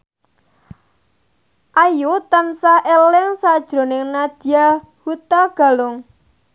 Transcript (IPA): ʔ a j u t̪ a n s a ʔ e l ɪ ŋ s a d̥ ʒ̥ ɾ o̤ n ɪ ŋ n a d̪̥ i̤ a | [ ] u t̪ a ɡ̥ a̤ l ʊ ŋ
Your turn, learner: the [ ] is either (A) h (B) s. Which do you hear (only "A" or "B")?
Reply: A